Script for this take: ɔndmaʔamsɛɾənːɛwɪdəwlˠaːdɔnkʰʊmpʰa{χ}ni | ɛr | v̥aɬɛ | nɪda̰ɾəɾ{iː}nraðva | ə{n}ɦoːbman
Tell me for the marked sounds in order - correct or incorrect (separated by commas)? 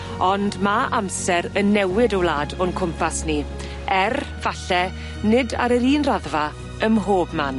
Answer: incorrect, correct, incorrect